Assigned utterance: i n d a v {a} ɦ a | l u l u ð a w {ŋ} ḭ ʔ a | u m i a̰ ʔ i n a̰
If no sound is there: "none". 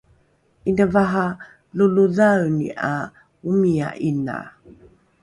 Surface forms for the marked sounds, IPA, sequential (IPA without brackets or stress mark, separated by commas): a, n